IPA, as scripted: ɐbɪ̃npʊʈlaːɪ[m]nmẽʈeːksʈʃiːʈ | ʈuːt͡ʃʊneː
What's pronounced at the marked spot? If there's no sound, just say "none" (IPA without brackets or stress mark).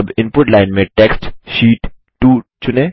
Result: none